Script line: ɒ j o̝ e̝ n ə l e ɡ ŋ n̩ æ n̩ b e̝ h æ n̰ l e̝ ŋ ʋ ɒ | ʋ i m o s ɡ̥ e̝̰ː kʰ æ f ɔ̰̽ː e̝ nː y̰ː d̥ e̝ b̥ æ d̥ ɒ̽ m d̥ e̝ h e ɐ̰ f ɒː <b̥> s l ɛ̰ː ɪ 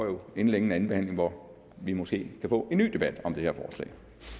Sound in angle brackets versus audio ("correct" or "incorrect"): incorrect